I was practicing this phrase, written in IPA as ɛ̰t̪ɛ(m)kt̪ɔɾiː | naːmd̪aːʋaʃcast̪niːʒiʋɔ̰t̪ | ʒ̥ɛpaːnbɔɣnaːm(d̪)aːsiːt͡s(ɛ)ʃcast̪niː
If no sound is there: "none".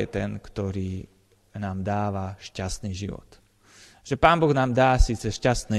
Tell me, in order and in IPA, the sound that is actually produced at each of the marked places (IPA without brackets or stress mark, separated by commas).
n, d̪, ɛ